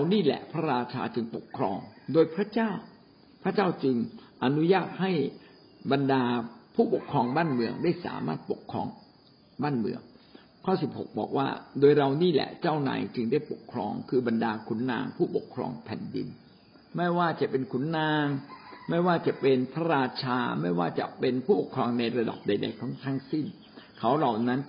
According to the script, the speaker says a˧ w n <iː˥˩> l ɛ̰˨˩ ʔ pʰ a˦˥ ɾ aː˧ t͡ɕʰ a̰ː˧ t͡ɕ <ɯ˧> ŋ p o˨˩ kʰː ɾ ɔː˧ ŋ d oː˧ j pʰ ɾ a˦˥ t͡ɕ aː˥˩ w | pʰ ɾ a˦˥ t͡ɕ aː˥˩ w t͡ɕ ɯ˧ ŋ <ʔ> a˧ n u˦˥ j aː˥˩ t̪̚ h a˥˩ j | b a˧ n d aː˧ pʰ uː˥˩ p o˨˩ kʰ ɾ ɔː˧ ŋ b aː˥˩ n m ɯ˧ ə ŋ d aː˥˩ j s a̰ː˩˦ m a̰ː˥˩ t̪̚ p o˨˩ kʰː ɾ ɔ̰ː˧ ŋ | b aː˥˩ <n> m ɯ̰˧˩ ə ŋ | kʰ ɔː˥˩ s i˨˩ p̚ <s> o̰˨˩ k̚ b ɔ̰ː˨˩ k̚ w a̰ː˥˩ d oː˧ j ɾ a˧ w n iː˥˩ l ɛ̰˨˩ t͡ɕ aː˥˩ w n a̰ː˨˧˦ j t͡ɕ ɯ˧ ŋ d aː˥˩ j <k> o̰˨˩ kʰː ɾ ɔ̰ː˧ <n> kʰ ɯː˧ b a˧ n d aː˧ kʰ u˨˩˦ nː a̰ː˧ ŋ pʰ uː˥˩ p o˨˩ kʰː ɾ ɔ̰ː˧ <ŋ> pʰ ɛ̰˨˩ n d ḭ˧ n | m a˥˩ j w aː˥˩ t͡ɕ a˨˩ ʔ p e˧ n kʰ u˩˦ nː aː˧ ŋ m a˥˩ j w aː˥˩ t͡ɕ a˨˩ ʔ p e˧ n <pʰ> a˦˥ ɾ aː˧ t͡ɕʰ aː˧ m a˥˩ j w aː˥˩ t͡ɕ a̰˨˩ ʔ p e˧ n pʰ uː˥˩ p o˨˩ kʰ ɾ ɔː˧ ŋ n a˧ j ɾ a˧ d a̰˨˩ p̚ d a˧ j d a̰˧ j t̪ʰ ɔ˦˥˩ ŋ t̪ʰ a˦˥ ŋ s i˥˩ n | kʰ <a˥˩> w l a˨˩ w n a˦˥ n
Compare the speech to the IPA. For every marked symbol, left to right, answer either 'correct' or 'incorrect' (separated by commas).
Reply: correct, correct, correct, correct, incorrect, incorrect, incorrect, correct, correct, incorrect